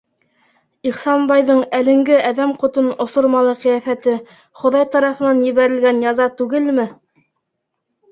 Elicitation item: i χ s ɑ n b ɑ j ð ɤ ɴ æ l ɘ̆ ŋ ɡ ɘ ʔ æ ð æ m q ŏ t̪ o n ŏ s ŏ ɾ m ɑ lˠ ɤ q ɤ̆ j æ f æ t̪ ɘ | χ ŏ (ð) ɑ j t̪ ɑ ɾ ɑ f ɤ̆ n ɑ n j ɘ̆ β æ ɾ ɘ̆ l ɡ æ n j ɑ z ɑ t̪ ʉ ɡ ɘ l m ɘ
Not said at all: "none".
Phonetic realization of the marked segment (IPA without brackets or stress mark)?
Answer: ð